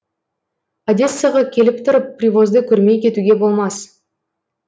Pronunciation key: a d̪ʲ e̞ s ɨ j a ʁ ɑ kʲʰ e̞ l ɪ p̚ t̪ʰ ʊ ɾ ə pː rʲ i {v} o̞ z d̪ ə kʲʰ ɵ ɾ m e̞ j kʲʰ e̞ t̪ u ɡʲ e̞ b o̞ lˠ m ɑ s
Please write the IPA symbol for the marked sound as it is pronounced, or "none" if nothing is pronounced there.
v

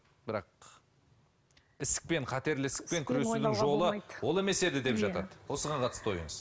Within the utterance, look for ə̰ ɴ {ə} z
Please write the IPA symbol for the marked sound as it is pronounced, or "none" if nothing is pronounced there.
ə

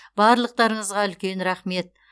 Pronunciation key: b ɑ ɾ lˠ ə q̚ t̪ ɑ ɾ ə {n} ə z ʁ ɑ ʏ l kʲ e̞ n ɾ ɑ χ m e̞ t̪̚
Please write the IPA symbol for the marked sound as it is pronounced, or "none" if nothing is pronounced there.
ɴ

